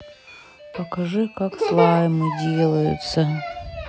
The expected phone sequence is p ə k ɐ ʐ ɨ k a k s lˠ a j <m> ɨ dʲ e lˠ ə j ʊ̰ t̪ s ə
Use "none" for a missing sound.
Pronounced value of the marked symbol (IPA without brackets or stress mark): m